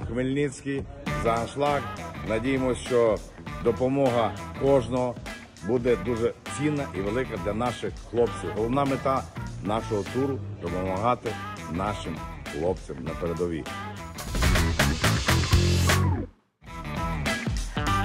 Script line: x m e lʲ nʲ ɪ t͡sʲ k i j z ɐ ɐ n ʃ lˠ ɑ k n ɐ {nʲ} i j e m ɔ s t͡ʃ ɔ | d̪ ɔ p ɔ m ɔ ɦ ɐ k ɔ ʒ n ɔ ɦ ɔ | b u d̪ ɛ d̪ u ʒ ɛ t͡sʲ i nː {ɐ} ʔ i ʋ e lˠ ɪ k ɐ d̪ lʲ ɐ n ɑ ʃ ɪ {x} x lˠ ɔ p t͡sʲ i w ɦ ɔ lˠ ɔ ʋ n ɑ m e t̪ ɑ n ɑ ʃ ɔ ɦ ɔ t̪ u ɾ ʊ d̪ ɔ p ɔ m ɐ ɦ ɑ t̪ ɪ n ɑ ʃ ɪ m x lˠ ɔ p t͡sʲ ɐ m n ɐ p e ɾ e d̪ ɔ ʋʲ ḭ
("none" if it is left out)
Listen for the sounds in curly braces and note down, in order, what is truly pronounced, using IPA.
dʲ, ɐ, x

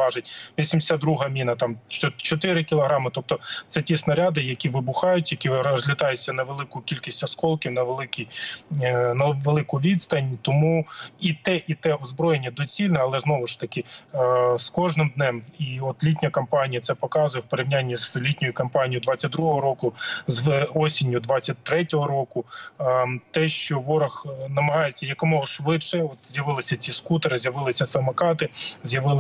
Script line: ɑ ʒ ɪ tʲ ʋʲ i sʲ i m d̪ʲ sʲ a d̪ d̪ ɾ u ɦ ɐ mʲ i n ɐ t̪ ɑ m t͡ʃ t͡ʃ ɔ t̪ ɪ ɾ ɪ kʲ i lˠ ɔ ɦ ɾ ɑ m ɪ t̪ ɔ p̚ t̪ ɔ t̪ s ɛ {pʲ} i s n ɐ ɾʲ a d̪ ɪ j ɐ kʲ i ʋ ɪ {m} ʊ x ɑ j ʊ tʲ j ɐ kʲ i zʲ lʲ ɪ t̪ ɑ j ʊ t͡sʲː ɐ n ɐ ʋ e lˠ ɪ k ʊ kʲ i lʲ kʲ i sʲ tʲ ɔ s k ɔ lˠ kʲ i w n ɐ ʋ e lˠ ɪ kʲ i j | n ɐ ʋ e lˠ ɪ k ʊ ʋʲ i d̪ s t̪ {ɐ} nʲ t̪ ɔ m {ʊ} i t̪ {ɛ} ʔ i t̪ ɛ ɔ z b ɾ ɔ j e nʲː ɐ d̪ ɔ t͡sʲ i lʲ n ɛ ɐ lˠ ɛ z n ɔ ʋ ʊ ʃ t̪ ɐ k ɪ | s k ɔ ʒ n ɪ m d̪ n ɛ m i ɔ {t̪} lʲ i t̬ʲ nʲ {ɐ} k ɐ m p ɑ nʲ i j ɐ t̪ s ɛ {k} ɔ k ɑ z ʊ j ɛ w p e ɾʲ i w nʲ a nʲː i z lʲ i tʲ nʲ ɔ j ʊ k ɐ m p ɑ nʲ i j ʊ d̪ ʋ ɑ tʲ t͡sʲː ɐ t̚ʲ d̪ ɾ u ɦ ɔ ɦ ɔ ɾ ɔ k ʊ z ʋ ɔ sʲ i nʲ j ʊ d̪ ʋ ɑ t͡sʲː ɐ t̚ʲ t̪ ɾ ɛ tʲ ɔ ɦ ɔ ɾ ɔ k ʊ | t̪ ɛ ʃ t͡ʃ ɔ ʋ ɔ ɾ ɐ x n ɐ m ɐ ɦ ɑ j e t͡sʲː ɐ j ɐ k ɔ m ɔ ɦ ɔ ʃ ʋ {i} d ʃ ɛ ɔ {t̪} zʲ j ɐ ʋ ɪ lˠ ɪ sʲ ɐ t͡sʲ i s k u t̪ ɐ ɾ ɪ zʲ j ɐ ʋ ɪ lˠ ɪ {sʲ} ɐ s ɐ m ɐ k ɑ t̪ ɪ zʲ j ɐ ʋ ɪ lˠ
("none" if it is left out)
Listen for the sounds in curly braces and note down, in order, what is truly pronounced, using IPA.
tʲ, b, ɐ, u, ɛ, t̪, ɐ, p, ɪ, t̪, sʲ

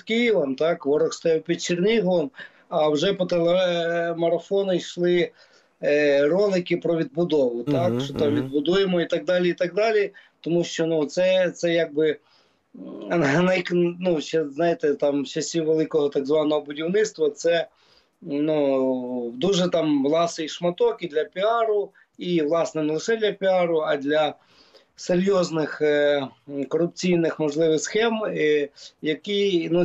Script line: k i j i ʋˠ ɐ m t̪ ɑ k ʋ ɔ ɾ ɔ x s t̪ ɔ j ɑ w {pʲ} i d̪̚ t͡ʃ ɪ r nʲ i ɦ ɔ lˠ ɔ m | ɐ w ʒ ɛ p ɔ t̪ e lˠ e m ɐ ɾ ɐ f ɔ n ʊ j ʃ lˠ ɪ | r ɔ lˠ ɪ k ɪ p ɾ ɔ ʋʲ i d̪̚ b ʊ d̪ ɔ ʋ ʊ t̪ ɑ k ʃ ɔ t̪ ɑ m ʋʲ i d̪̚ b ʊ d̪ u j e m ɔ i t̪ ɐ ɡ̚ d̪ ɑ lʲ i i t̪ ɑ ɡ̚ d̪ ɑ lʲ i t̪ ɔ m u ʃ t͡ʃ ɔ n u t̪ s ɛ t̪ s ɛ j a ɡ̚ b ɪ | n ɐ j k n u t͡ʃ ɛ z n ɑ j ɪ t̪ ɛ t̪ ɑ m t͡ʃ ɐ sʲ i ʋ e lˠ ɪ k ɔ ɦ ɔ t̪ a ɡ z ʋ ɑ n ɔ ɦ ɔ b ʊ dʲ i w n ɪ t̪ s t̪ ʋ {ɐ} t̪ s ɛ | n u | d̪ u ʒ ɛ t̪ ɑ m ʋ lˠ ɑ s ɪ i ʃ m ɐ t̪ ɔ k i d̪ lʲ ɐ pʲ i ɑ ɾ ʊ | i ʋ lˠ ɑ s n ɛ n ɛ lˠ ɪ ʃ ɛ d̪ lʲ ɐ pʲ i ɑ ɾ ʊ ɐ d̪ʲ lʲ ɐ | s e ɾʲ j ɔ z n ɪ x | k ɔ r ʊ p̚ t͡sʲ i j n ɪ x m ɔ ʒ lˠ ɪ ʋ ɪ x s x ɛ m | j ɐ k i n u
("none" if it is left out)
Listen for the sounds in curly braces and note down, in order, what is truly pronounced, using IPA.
pʲ, ɐ

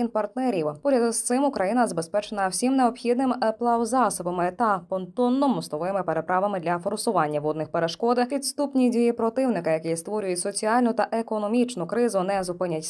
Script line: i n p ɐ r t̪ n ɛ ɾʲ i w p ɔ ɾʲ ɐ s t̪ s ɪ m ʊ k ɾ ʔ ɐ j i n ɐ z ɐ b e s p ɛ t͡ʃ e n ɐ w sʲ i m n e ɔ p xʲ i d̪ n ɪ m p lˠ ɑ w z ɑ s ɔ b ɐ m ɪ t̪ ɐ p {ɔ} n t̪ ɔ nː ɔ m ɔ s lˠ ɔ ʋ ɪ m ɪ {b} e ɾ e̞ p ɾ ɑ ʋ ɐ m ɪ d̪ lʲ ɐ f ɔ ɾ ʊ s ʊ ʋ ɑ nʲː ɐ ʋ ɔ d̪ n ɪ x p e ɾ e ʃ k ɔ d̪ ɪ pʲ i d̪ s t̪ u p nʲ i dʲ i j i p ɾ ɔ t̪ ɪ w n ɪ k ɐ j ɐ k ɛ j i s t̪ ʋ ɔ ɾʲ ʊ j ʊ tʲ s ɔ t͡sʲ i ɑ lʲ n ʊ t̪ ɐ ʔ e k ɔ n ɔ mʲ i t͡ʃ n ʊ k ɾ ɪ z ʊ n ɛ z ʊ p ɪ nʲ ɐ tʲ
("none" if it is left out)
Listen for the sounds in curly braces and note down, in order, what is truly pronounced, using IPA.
ɔ, p

